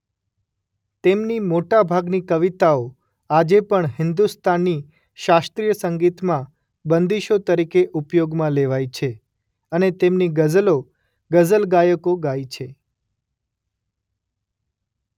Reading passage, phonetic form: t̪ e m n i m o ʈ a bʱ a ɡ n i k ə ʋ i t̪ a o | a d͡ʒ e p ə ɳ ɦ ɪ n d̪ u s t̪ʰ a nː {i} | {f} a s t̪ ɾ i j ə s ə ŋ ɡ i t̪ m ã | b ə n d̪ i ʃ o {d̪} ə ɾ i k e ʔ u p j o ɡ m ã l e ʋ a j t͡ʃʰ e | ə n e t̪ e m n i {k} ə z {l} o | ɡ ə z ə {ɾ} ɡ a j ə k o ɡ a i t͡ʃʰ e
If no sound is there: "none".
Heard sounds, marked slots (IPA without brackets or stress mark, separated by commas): i, ʃ, t̪, ɡ, l, l